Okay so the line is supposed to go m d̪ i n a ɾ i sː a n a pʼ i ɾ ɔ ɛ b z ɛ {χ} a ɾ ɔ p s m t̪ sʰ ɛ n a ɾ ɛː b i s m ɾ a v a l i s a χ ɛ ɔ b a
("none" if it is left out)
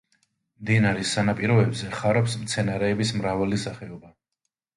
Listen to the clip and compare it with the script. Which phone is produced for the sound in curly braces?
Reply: χ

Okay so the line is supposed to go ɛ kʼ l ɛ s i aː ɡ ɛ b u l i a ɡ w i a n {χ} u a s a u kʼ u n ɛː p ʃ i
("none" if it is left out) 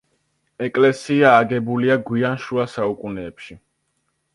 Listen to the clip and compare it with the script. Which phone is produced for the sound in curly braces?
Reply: ʃ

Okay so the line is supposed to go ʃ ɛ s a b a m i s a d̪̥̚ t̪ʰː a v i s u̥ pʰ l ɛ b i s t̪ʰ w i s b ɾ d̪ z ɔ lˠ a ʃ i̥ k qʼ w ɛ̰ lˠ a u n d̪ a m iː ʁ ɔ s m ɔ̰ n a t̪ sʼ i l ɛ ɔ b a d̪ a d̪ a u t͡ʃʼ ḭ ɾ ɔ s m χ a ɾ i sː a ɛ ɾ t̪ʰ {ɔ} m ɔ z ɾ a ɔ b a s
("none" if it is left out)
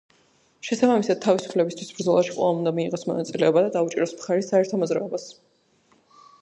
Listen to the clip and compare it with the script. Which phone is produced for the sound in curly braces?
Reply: ɔ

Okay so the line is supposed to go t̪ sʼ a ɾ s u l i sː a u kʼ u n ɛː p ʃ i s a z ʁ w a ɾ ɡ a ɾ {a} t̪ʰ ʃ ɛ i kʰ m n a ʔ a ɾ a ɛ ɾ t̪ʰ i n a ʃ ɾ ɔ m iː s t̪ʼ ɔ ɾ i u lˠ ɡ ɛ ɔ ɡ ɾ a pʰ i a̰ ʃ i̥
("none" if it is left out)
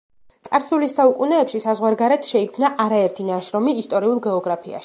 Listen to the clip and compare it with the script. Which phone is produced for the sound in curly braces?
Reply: ɛ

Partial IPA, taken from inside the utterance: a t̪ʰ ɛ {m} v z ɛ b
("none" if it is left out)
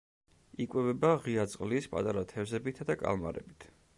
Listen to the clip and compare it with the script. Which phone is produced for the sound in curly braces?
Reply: none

